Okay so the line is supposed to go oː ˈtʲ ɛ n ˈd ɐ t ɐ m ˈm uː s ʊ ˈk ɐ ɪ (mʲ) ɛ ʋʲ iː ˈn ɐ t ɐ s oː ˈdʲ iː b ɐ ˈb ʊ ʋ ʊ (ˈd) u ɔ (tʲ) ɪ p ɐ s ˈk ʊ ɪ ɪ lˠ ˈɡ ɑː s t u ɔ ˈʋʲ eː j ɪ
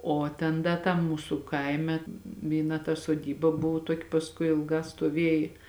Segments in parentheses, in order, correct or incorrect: correct, incorrect: t, incorrect: kʲ

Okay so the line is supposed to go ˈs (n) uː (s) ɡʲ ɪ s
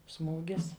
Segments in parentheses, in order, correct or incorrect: incorrect: m, incorrect: none

